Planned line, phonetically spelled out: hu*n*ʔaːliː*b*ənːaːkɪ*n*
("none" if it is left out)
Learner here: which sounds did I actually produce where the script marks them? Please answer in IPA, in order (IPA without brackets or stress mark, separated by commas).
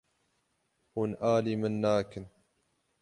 n, m, n